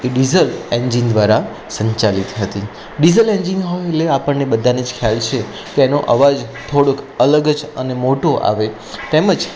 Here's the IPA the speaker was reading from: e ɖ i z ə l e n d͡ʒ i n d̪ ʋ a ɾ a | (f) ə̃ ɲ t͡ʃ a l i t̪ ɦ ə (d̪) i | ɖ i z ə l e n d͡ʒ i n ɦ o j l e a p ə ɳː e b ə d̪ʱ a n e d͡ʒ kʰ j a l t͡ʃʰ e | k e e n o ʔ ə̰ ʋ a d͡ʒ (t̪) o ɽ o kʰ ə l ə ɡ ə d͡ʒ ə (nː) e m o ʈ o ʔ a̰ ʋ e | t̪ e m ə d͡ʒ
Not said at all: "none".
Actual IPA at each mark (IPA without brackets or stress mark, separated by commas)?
s, t̪, t̪ʰ, n